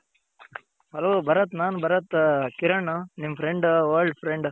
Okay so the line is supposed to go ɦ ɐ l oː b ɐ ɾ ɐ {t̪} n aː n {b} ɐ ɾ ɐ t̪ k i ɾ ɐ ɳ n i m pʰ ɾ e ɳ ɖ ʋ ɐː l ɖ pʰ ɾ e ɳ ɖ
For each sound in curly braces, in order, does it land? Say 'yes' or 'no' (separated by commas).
yes, yes